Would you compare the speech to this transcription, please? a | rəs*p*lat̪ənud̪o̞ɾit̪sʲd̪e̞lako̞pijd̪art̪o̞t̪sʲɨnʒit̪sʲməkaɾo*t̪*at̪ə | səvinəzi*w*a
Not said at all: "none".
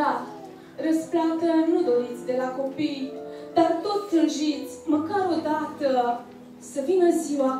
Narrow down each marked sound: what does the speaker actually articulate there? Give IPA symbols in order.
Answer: p, d̪, w

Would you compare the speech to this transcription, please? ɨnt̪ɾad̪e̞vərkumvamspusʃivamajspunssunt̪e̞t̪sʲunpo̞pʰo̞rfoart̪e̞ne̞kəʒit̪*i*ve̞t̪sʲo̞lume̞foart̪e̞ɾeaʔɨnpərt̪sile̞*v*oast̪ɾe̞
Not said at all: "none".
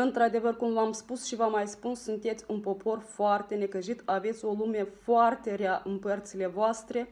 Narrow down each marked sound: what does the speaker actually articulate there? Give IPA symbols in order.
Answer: a, v

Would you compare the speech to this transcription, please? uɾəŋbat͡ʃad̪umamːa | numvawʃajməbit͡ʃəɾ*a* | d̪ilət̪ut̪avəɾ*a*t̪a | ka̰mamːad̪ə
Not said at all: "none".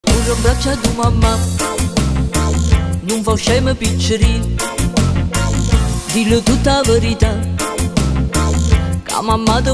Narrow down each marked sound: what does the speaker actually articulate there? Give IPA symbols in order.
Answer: i, i

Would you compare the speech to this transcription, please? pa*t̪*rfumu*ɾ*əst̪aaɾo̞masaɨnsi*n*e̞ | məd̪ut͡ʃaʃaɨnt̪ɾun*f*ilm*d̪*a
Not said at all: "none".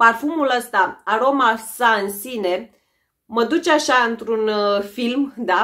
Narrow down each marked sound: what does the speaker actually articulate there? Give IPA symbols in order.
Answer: none, l, n, f, d̪

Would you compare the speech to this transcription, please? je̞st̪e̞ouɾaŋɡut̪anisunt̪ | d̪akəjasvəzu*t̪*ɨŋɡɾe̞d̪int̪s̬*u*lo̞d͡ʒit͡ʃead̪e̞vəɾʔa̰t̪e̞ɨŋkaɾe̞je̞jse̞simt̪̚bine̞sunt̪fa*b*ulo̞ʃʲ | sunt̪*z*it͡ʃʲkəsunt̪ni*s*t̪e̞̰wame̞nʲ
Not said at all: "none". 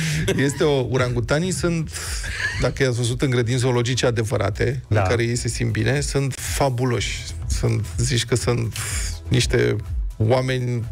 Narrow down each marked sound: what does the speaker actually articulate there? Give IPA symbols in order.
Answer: t̪, o, b, z, ʃ

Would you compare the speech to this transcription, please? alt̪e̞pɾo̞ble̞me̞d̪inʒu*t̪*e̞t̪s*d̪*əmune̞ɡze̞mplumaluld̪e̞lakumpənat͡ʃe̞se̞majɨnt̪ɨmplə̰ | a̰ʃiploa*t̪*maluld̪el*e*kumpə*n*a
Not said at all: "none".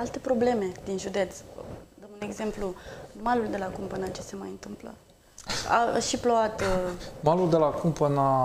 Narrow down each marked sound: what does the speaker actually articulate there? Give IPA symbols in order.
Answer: d̪, d̪, t̪, a, n

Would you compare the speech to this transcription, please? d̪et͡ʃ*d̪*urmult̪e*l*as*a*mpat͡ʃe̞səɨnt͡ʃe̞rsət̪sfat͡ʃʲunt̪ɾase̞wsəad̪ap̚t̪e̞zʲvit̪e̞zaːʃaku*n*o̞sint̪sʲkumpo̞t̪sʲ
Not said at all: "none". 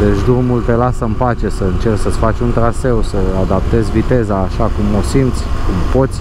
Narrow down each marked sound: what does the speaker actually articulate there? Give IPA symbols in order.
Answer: d̪, l, ə, m

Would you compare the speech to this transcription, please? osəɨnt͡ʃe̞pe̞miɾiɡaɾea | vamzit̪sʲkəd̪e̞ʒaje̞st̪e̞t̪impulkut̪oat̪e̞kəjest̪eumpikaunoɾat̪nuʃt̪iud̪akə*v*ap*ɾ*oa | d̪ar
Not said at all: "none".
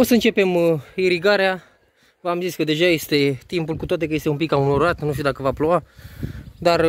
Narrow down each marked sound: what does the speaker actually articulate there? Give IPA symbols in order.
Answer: v, l

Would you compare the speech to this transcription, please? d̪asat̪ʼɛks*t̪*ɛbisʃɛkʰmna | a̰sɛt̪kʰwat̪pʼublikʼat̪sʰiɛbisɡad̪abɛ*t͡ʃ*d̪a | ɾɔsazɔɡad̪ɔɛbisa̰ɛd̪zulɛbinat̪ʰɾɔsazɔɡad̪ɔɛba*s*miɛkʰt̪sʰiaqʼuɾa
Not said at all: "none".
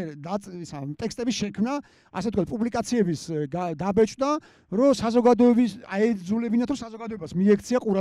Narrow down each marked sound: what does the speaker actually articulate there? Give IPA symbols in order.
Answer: t̪ʼ, t͡ʃʼ, s

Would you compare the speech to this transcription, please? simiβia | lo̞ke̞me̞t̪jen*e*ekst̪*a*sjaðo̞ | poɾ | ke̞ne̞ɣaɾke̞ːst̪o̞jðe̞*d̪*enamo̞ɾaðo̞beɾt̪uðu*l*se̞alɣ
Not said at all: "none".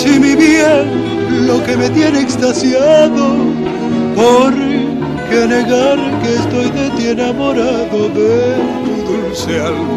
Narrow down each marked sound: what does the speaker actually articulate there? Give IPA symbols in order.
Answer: e, a, t̪, l

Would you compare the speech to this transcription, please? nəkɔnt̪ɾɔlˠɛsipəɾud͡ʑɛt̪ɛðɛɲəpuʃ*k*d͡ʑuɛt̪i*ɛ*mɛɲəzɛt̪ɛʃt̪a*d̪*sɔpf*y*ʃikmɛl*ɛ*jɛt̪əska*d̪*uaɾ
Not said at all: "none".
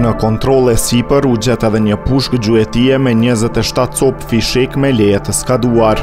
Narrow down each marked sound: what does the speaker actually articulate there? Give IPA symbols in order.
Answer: k, ɛ, t̪, i, ɛ, d̪

